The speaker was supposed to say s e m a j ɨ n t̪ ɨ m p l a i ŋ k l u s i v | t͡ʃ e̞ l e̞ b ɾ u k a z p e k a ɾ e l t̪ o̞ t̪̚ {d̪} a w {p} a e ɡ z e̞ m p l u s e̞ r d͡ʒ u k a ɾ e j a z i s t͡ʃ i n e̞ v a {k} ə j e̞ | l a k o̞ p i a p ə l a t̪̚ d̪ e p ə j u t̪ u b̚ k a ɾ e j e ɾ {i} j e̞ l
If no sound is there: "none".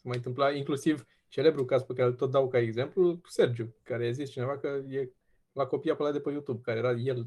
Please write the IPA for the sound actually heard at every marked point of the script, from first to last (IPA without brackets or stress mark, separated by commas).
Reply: d̪, k, k, a